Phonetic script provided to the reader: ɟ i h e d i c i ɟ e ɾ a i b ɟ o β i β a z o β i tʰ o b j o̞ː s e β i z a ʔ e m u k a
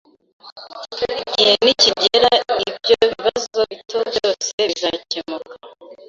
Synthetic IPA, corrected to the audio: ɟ i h e n i c i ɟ e ɾ a i b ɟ o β i β a z o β i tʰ o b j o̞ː s e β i z a c e m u k a